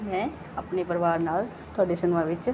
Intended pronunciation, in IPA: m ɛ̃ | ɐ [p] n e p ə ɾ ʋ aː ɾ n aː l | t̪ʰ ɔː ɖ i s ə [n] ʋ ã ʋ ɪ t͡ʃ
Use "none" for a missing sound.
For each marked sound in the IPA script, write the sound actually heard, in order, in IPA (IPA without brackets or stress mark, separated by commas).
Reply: p, n